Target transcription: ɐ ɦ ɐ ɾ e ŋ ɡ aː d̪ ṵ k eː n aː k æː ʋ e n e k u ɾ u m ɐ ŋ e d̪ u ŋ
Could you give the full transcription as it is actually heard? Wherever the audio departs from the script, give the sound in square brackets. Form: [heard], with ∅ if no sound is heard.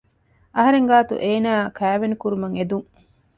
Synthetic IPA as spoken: ɐ ɦ ɐ ɾ e ŋ ɡ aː [t̪] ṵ [ʔ] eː n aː k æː ʋ e n [i] k u ɾ u m ɐ ŋ e d̪ u ŋ